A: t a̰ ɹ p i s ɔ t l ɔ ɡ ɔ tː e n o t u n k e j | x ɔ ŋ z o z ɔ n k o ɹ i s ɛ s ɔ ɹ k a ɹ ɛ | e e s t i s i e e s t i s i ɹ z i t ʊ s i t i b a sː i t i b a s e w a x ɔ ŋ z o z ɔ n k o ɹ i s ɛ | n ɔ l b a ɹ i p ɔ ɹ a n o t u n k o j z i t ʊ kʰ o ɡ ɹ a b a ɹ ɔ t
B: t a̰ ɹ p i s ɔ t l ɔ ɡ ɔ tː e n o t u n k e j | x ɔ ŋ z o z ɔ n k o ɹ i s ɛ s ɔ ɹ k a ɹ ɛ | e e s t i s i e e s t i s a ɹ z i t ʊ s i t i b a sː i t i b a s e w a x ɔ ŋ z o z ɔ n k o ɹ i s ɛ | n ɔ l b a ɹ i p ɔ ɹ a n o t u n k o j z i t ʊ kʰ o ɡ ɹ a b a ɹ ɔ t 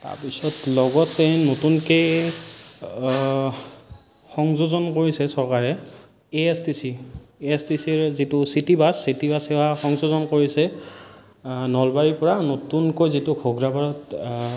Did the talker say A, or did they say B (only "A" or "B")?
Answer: A